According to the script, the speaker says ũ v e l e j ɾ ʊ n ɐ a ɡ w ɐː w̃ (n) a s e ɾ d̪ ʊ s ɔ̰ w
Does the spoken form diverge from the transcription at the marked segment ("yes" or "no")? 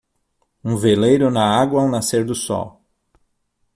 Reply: no